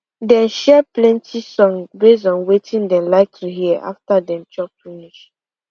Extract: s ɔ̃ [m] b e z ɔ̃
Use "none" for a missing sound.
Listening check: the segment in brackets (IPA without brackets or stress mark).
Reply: ŋ